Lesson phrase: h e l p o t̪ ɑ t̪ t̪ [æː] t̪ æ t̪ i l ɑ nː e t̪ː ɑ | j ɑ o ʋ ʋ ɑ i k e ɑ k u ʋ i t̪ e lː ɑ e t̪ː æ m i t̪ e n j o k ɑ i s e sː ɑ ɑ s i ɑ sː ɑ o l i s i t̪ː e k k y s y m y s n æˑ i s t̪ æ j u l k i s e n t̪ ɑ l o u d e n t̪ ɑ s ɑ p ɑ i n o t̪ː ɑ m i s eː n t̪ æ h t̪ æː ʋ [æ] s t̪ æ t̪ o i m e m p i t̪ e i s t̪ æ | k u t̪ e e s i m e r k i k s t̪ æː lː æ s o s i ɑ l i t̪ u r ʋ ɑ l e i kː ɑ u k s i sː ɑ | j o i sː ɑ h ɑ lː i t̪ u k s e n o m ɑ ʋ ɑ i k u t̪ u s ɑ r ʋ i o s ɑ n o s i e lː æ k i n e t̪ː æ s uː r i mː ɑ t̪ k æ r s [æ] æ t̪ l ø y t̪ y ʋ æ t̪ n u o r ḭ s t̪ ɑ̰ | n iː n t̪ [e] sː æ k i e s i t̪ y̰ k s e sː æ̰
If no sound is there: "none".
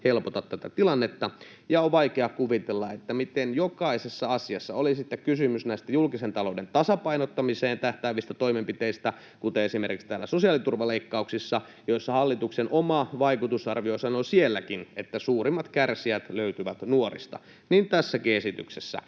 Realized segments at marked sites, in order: æ, i, i, æ

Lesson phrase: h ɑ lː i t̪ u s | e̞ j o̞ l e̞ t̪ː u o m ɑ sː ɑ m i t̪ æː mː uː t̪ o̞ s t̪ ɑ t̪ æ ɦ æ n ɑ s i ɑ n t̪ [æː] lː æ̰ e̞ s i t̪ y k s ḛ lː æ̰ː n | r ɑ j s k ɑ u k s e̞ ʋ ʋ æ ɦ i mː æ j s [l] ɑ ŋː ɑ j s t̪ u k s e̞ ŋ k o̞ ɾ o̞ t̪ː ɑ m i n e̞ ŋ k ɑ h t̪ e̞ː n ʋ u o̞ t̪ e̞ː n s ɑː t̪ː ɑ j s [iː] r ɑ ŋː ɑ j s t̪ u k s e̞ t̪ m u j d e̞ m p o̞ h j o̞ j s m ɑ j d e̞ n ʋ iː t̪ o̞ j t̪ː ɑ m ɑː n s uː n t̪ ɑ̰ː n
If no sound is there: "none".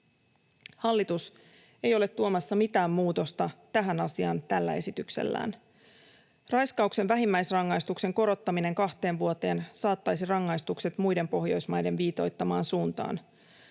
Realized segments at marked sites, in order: æ, r, i

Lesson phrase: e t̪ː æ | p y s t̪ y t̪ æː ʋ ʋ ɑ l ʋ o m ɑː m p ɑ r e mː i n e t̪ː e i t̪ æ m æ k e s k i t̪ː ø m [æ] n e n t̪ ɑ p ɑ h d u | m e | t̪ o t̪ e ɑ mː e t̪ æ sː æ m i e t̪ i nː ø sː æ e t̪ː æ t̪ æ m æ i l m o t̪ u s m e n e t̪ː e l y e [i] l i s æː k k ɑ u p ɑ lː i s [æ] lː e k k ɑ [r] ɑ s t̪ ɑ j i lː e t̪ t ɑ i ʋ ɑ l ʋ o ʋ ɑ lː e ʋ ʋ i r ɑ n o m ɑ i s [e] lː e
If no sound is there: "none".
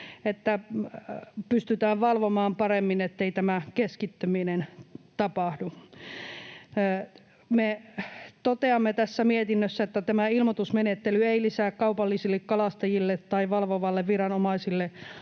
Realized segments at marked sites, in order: i, i, i, l, i

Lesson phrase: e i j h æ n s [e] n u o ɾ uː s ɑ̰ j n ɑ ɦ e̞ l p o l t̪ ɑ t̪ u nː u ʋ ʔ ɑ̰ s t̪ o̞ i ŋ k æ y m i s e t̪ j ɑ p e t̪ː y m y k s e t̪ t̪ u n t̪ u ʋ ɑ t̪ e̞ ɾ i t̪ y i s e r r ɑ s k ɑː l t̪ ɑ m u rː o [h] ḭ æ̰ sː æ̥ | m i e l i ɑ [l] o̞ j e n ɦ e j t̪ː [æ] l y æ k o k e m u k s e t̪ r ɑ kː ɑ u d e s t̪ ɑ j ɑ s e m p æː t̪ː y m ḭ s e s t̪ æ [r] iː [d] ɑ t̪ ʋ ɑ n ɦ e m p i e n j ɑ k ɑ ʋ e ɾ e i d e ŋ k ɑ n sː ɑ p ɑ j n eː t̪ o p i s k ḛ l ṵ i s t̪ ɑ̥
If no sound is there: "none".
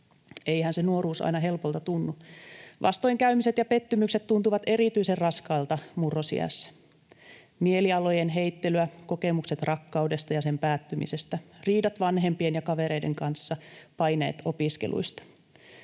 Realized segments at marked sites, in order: e, s, l, e, r, d

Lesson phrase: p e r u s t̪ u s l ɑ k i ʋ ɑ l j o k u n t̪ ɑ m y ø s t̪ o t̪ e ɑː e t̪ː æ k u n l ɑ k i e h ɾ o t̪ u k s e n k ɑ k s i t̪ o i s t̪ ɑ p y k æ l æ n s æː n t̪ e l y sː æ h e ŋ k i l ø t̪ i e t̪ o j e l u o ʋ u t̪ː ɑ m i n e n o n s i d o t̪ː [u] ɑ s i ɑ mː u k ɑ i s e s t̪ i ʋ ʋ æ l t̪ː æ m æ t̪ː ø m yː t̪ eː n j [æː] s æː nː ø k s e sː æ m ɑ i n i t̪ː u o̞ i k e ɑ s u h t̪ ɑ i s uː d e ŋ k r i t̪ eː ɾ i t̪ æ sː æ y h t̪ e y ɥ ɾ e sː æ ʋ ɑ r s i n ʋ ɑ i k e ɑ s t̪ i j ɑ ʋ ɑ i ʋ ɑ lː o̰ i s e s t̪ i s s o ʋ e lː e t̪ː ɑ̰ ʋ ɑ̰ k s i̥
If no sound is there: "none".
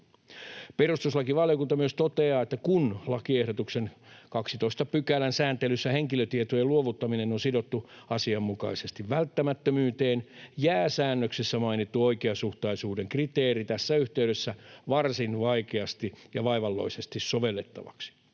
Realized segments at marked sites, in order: u, æː

